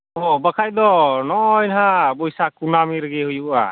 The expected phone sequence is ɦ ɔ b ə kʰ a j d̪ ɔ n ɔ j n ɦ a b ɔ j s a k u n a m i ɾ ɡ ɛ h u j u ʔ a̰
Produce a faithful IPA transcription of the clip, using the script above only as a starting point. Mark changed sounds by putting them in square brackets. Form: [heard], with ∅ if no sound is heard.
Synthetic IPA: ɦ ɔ b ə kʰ a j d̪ ɔ n ɔ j n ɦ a b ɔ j s a k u n a m i ɾ ɡ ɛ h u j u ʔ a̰